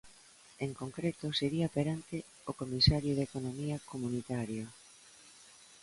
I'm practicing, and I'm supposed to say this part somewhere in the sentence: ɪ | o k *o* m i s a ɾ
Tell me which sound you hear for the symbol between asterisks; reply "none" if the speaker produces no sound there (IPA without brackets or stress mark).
o